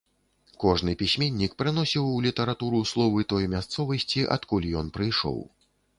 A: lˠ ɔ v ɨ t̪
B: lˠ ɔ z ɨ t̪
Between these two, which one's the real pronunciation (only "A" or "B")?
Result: A